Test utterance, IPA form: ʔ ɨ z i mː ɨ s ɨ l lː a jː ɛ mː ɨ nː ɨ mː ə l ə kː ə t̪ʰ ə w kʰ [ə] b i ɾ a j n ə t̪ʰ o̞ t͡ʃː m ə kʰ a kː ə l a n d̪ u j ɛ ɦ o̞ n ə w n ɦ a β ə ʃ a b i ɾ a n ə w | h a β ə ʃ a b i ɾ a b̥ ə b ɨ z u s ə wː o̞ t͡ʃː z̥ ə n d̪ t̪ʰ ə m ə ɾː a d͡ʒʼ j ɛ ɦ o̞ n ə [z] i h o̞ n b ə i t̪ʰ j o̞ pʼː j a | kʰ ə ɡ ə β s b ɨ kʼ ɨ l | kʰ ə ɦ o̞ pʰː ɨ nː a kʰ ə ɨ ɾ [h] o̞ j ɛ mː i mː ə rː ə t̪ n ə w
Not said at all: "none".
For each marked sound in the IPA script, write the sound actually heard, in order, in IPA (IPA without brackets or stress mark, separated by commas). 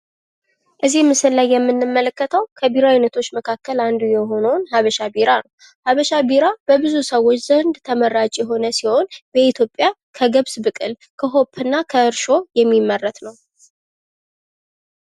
ə, s, ʃ